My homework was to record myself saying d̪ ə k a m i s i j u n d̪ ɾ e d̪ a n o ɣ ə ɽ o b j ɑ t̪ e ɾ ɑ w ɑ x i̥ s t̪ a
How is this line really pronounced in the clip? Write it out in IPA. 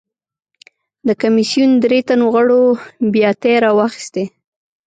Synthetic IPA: d̪ ə k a m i s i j u n d̪ ɾ e t̪ a n o ɣ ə ɽ o b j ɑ t̪ e ɾ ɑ w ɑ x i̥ s t̪ e